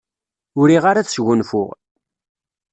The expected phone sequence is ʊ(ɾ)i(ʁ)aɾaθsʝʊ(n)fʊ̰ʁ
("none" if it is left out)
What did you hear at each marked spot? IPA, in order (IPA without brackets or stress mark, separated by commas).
ɾ, ʁ, n